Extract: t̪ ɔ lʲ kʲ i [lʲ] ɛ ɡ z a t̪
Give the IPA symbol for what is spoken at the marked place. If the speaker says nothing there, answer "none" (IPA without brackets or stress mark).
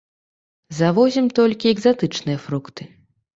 none